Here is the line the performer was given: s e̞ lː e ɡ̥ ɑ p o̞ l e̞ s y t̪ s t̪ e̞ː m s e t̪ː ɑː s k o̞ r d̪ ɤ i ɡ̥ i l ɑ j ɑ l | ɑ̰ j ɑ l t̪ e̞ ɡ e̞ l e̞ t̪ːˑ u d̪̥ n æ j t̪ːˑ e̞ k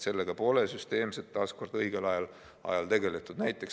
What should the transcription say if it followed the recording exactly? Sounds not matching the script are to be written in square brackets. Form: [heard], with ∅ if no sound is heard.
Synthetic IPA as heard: s e̞ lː e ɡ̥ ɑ p o̞ l e̞ s y [∅] s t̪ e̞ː m s e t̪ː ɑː s k o̞ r d̪ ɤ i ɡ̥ [e] l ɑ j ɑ l | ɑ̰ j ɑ l t̪ e̞ ɡ e̞ l e̞ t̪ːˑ u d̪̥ n æ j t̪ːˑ e̞ k